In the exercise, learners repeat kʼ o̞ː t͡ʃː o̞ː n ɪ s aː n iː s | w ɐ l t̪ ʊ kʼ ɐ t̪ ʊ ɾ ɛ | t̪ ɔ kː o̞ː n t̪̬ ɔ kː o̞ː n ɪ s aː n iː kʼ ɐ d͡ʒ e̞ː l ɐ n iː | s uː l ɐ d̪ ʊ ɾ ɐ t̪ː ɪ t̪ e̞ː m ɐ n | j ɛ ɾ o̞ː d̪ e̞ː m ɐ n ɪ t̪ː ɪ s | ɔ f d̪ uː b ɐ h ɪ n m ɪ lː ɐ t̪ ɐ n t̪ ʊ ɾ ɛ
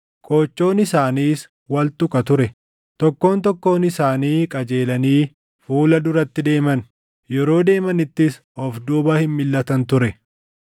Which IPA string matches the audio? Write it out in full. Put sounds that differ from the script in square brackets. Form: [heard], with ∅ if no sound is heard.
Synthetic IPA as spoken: kʼ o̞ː t͡ʃː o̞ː n ɪ s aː n iː s | w ɐ l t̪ ʊ kʼ ɐ t̪ ʊ ɾ ɛ | t̪ ɔ kː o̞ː n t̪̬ ɔ kː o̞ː n ɪ s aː n iː kʼ ɐ d͡ʒ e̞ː l ɐ n iː | [f] uː l ɐ d̪ ʊ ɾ ɐ t̪ː ɪ [d̪] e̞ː m ɐ n | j ɛ ɾ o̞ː d̪ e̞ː m ɐ n ɪ t̪ː ɪ s | ɔ f d̪ uː b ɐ h ɪ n m ɪ lː ɐ t̪ ɐ n t̪ ʊ ɾ ɛ